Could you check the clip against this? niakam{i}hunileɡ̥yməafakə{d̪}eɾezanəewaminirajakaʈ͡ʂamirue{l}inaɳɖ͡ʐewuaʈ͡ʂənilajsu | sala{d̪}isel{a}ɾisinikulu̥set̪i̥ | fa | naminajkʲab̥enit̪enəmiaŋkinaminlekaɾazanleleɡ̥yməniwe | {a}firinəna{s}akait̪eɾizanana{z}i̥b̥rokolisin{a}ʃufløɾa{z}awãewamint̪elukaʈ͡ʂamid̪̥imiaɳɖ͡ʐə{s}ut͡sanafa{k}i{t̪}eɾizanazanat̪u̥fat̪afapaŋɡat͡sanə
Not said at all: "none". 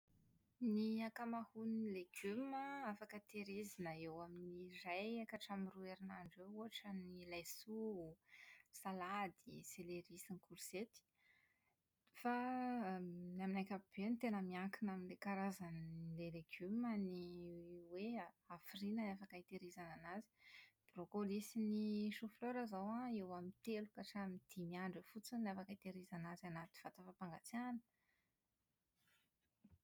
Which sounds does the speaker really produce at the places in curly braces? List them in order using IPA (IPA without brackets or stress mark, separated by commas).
a, t̪, ɾ, d̪, e, a, f, z, i, z, f, k, t̪